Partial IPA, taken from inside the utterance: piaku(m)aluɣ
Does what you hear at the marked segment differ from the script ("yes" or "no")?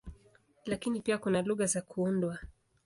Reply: yes